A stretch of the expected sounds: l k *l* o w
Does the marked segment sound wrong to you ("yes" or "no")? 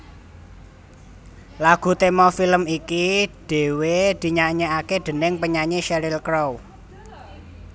yes